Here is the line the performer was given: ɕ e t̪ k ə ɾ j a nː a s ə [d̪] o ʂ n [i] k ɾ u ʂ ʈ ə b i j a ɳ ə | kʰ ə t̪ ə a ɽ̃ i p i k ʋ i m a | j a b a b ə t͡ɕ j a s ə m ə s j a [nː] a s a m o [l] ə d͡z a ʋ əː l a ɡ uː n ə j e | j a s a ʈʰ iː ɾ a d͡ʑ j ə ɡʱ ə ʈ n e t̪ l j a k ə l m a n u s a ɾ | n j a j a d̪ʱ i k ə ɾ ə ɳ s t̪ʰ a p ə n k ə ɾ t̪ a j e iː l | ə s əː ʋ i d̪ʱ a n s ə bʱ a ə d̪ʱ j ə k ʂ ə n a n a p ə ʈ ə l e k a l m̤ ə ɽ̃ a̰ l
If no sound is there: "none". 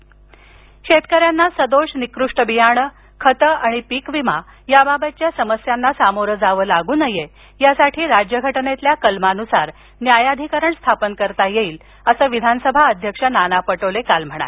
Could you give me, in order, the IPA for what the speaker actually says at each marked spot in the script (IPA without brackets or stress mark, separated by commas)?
d̪, i, nː, ɾ